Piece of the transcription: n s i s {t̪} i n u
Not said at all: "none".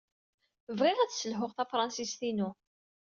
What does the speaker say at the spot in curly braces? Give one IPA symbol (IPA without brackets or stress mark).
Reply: t̪